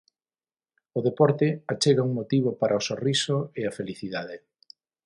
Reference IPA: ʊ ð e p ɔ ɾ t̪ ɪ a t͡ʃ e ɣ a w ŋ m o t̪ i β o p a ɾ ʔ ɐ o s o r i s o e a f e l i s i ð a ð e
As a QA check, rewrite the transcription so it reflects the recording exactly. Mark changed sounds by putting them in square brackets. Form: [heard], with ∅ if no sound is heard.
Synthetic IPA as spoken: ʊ ð e p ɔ ɾ t̪ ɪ a t͡ʃ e ɣ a [u] ŋ m o t̪ i β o p a ɾ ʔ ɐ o s o r i s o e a f e l i [θ] i ð a ð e

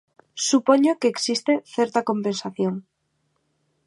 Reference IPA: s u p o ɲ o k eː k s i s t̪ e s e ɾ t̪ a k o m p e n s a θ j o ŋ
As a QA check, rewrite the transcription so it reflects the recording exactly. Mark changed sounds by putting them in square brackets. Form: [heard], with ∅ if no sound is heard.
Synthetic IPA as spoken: s u p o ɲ o k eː k s i s t̪ e [θ] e ɾ t̪ a k o m p e n s a θ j o ŋ

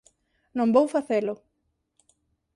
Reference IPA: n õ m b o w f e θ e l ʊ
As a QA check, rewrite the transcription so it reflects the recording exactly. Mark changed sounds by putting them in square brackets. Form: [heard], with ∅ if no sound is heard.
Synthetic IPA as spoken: n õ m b o w f [a] θ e l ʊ

